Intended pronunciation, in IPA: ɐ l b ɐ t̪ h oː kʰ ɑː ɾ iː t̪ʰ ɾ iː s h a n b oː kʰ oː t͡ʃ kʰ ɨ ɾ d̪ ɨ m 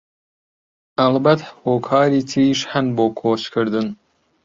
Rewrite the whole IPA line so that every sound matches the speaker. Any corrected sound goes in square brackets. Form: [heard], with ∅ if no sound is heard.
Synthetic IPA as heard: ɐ l b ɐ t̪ h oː kʰ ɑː ɾ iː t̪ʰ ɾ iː [ʃ] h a n b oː kʰ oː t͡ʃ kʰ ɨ ɾ d̪ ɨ [n]